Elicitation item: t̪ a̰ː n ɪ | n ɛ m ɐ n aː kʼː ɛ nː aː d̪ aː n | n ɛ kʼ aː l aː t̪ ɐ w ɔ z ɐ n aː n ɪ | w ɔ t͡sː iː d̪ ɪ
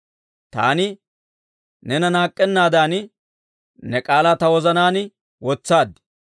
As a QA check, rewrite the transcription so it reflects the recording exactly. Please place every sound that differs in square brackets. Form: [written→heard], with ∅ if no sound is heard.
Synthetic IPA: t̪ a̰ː n ɪ | n ɛ [m→n] ɐ n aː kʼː ɛ nː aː d̪ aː n | n ɛ kʼ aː l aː t̪ ɐ w ɔ z ɐ n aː n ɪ | w ɔ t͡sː [iː→aː] d̪ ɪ

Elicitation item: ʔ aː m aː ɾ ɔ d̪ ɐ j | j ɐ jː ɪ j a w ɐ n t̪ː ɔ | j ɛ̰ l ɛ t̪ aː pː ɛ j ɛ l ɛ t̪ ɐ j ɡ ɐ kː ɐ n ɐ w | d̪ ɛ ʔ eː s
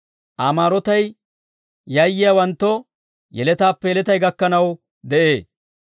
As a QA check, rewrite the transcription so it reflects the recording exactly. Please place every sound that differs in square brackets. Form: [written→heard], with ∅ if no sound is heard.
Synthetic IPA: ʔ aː m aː ɾ ɔ [d̪→t̪] ɐ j | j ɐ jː ɪ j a w ɐ n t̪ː ɔ | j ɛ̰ l ɛ t̪ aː pː ɛ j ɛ l ɛ t̪ ɐ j ɡ ɐ kː ɐ n ɐ w | d̪ ɛ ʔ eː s

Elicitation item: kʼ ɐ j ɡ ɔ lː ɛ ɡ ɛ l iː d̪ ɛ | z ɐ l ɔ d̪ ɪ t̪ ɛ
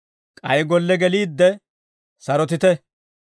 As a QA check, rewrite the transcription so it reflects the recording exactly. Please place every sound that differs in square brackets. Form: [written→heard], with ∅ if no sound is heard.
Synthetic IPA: kʼ ɐ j ɡ ɔ lː ɛ ɡ ɛ l iː [d̪→d̪ː] ɛ | [z→s] ɐ [l→ɾ] ɔ [d̪→t̪] ɪ t̪ ɛ

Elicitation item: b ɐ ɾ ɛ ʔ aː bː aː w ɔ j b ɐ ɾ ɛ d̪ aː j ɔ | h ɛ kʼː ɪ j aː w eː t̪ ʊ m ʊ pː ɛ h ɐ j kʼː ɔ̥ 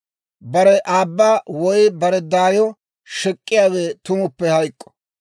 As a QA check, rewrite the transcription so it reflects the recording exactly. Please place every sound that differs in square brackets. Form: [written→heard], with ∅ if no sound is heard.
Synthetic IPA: b ɐ ɾ ɛ ʔ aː bː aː w ɔ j b ɐ ɾ ɛ d̪ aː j ɔ | [h→ʃ] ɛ kʼː ɪ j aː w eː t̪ ʊ m ʊ pː ɛ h ɐ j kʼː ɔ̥

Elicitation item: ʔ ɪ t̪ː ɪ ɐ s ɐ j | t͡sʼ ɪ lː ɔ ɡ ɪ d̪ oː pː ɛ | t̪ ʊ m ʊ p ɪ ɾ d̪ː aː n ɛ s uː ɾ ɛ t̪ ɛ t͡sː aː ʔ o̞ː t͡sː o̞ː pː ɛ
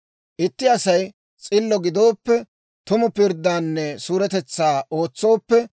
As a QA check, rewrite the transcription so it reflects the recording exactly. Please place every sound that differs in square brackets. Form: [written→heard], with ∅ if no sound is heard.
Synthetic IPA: ʔ ɪ t̪ː ɪ ɐ s ɐ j | t͡sʼ ɪ lː ɔ ɡ ɪ d̪ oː pː ɛ | t̪ ʊ m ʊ p ɪ ɾ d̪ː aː [n→nː] ɛ s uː ɾ ɛ t̪ ɛ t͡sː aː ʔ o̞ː t͡sː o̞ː pː ɛ

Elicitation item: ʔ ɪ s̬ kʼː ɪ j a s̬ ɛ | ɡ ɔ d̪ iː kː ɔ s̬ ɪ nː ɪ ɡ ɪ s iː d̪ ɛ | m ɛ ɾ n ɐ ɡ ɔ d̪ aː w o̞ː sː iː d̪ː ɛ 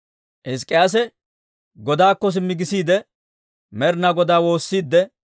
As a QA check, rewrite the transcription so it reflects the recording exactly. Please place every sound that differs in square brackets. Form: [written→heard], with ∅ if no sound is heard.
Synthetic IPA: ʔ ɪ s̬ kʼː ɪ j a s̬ ɛ | ɡ ɔ d̪ [iː→aː] kː ɔ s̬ ɪ [nː→mː] ɪ ɡ ɪ s iː d̪ ɛ | m ɛ ɾ n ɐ ɡ ɔ d̪ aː w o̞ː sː iː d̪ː ɛ

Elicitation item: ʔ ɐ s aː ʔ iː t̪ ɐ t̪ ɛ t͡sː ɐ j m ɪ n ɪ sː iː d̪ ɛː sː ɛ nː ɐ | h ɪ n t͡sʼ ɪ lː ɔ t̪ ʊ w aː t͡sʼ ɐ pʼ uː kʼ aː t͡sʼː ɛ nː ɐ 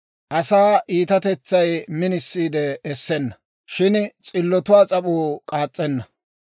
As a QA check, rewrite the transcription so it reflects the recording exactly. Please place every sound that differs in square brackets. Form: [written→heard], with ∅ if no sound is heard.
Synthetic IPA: ʔ ɐ s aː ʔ iː t̪ ɐ t̪ ɛ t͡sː ɐ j m ɪ n ɪ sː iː d̪ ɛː sː ɛ nː ɐ | [h→ʃ] ɪ n t͡sʼ ɪ lː ɔ t̪ ʊ w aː t͡sʼ ɐ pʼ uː kʼ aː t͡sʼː ɛ nː ɐ

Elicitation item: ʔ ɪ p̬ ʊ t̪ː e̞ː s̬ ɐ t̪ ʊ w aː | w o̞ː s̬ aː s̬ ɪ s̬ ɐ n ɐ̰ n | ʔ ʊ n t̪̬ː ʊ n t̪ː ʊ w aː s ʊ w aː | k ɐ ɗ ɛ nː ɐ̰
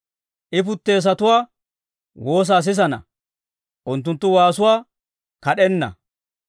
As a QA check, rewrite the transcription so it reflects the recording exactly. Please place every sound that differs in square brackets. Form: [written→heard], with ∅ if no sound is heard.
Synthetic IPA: ʔ ɪ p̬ ʊ t̪ː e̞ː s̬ ɐ t̪ ʊ w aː | w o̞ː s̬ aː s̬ ɪ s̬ ɐ n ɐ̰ [n→∅] | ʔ ʊ n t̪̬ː ʊ n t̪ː ʊ w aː s ʊ w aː | k ɐ ɗ ɛ nː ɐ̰

